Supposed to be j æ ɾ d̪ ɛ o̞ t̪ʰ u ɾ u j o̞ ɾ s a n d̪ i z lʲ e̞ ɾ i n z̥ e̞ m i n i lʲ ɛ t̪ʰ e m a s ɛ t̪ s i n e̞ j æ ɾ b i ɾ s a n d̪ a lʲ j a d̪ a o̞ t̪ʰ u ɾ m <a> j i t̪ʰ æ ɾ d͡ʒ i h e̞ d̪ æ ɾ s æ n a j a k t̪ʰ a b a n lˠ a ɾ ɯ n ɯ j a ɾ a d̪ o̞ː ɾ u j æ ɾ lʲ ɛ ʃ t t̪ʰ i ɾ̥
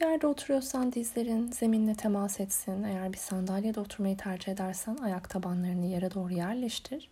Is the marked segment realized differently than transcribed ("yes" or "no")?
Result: no